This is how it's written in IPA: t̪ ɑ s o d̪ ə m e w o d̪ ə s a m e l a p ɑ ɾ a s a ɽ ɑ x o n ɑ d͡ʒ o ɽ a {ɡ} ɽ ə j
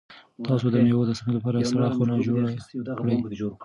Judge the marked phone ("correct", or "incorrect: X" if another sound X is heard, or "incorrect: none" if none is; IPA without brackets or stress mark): incorrect: k